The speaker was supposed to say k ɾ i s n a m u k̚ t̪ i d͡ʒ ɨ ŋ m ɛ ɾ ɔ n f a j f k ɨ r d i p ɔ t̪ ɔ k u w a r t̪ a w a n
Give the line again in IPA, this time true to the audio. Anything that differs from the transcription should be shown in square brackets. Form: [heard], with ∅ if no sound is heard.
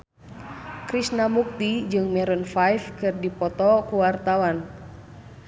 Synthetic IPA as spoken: k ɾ i s n a m u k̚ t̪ i d͡ʒ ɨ ŋ m ɛ ɾ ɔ n f a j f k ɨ r d i p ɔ t̪ ɔ k u w a r t̪ a w a n